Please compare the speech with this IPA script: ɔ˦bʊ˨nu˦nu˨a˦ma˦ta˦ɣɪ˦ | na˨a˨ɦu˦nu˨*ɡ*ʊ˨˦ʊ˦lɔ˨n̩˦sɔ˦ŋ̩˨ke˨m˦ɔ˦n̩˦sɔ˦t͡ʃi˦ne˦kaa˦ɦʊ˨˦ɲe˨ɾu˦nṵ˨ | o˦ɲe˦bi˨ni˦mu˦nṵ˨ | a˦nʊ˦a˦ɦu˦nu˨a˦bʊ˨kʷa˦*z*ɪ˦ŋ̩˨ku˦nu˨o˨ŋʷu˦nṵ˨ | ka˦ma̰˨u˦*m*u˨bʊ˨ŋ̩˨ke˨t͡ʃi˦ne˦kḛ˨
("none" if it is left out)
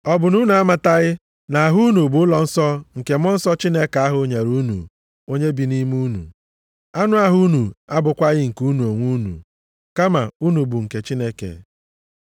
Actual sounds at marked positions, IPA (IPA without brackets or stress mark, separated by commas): b, ɣ, n